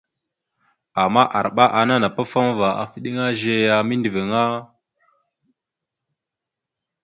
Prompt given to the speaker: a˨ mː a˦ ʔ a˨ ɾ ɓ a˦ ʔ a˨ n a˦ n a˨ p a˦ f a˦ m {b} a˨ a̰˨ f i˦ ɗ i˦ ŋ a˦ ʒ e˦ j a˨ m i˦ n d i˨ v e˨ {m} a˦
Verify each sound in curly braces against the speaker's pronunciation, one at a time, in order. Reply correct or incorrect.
incorrect, incorrect

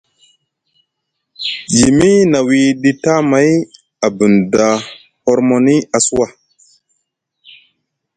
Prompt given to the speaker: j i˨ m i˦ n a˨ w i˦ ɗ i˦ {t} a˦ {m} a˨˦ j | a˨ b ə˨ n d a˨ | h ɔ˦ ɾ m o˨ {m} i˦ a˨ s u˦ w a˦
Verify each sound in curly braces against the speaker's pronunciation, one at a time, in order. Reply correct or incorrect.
correct, correct, incorrect

